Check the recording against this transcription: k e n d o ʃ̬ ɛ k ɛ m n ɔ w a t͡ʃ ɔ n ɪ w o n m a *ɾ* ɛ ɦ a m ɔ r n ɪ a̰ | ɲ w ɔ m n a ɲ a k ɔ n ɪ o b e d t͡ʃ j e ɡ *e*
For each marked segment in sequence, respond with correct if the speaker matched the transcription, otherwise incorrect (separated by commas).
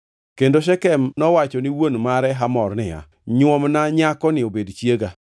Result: correct, incorrect